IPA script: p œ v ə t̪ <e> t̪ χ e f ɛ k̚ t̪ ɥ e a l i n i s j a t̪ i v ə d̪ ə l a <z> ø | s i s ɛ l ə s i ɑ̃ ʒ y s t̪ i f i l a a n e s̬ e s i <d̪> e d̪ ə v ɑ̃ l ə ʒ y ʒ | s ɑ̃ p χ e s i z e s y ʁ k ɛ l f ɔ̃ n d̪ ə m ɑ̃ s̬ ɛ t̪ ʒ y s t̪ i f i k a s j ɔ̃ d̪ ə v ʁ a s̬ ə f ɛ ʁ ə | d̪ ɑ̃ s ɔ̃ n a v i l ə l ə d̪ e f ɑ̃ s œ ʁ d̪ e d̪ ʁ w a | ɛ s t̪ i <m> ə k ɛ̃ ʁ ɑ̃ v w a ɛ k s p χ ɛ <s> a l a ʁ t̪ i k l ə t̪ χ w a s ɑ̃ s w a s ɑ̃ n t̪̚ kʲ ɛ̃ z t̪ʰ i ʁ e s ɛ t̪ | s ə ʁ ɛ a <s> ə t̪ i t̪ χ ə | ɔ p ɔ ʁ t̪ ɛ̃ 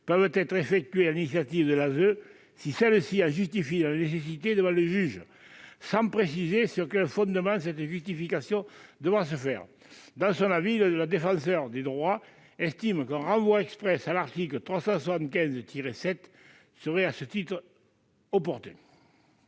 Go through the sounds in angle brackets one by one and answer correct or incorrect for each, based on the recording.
incorrect: ɛ, correct, incorrect: t̪, correct, correct, correct

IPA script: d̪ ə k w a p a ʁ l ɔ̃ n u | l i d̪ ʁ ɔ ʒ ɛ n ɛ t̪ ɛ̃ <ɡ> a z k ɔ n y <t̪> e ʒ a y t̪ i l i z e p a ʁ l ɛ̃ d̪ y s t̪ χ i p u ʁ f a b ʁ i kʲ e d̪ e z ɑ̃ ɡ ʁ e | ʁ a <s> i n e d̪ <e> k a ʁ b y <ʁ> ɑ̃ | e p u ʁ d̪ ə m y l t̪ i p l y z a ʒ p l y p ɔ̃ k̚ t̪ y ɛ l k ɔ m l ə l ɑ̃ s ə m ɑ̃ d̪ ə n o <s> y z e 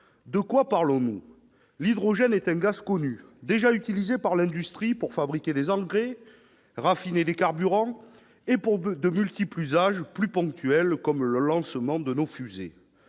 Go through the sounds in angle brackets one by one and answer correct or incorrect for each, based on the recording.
correct, incorrect: d̪, incorrect: f, correct, correct, incorrect: f

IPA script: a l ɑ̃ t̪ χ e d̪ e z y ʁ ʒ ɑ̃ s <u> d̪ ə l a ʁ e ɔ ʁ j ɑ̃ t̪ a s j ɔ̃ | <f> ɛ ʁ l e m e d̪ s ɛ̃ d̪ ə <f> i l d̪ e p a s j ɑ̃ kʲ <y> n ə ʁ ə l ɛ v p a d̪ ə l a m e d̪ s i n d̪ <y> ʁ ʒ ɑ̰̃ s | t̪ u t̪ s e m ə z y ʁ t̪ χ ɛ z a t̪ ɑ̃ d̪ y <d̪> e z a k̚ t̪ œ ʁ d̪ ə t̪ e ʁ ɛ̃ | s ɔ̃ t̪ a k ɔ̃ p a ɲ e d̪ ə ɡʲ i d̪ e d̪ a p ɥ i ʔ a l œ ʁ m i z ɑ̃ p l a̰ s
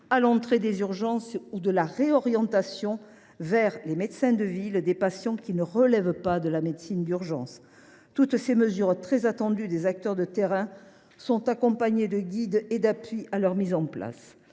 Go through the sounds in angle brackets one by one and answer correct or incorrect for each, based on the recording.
correct, incorrect: v, incorrect: v, incorrect: i, correct, correct

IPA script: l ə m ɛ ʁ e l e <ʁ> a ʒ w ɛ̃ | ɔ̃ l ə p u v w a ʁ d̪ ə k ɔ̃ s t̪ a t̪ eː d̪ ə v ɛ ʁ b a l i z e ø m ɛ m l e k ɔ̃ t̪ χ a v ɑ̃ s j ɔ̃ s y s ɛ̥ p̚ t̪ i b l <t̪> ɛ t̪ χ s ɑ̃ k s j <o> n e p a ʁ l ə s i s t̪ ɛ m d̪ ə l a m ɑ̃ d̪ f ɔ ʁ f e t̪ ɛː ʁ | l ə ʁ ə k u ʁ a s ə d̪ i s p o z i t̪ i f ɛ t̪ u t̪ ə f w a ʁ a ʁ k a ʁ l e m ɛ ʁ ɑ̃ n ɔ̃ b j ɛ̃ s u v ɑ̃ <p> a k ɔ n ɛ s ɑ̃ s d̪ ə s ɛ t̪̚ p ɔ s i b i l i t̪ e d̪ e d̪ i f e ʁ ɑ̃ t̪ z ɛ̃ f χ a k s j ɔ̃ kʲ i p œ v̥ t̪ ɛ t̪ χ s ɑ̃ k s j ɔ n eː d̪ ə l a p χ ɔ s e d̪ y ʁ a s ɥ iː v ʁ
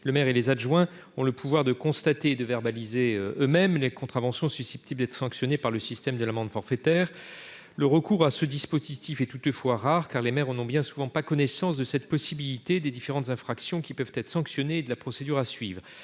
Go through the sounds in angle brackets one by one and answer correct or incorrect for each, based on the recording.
incorrect: z, incorrect: d̪, incorrect: ɔ, correct

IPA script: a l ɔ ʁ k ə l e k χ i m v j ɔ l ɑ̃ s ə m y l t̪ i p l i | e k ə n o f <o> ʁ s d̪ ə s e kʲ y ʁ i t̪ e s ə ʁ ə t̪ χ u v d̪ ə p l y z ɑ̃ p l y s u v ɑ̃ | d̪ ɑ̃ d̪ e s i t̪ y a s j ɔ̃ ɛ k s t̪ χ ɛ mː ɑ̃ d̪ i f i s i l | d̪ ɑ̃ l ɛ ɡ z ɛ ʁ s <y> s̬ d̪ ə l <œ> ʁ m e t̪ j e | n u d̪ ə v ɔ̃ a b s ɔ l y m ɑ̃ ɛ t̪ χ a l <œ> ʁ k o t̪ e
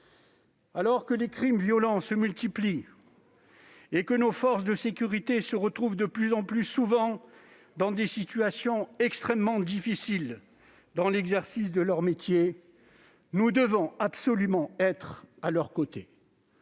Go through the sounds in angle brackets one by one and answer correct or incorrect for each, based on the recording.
incorrect: ɔ, incorrect: i, correct, correct

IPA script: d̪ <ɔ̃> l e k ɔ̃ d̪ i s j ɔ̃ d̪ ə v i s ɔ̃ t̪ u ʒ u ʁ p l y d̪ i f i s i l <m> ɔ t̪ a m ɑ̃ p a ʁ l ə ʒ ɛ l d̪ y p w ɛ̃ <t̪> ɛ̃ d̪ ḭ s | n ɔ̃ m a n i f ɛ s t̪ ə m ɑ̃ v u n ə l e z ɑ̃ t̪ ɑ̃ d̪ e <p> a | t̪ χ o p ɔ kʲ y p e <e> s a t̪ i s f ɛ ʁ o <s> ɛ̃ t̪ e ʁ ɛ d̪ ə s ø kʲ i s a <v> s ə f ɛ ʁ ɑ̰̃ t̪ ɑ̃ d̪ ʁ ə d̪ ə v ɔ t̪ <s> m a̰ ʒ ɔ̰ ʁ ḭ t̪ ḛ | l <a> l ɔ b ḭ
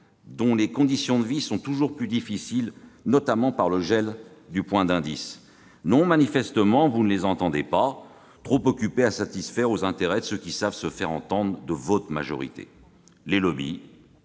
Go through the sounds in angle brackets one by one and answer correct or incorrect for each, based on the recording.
correct, incorrect: n, incorrect: d̪, correct, incorrect: a, incorrect: z, correct, incorrect: χ, incorrect: e

